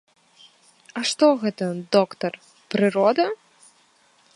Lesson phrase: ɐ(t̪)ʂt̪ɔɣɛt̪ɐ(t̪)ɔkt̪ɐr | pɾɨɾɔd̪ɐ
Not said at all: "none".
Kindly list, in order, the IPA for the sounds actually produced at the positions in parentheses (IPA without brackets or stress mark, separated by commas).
none, d̪